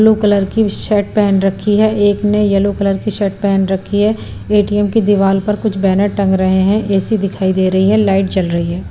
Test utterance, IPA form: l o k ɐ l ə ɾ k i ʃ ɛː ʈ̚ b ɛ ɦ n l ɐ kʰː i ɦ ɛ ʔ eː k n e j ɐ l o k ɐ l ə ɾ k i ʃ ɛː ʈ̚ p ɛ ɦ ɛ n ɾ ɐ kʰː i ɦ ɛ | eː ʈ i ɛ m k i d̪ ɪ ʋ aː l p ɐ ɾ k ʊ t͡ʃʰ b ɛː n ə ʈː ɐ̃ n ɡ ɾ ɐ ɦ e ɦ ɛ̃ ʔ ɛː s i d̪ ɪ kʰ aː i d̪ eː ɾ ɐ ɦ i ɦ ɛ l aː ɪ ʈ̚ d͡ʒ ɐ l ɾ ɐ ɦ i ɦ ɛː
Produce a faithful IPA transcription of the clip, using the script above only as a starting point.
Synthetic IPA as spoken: l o k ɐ l ə ɾ k i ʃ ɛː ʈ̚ p ɛ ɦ n ɾ ɐ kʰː i ɦ ɛ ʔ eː k n e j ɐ l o k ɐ l ə ɾ k i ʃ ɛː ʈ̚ p ɛ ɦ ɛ n ɾ ɐ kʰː i ɦ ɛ | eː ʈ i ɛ m k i d̪ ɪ ʋ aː l p ɐ ɾ k ʊ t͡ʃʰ b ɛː n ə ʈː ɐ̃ ŋ ɡ ɾ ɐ ɦ e ɦ ɛ̃ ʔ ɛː s i d̪ ɪ kʰ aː i d̪ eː ɾ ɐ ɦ i ɦ ɛ l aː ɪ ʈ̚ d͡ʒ ɐ l ɾ ɐ ɦ i ɦ ɛː